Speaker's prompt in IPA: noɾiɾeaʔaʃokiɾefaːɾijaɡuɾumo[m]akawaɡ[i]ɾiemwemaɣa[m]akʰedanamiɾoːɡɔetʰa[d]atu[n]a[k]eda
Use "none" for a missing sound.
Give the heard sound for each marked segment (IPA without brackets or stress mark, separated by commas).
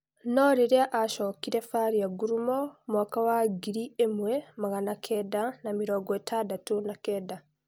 m, i, n, d, n, k